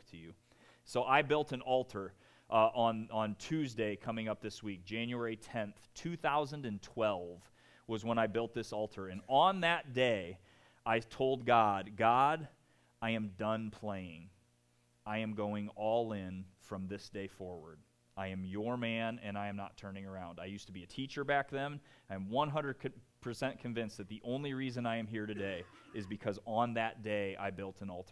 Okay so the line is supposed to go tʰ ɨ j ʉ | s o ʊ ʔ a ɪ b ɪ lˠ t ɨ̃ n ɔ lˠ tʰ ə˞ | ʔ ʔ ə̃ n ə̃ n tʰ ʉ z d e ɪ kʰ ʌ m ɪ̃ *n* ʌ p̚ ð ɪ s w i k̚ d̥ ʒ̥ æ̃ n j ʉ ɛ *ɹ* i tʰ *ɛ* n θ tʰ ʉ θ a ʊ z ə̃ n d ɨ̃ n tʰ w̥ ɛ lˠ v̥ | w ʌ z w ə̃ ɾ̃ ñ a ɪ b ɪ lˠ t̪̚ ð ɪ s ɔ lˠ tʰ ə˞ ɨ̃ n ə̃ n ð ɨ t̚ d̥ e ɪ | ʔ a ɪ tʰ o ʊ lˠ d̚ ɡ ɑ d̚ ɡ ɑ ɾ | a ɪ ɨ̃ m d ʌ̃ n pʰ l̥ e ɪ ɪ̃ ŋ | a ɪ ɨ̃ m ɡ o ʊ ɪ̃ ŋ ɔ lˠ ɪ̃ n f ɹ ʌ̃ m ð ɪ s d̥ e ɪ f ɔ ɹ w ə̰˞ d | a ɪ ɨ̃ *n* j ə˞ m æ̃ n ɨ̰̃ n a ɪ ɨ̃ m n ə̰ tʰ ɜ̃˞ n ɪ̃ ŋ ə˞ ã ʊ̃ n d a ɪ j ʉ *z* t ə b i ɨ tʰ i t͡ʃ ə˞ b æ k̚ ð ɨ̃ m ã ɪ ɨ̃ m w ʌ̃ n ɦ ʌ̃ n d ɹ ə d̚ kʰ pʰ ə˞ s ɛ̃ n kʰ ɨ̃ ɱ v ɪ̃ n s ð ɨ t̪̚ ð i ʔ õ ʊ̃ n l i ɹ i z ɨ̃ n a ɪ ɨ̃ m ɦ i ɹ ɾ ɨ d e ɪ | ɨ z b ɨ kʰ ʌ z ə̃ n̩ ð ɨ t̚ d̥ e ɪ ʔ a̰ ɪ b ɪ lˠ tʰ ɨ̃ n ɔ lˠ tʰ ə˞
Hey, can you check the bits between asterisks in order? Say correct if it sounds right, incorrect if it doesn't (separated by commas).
incorrect, correct, incorrect, incorrect, incorrect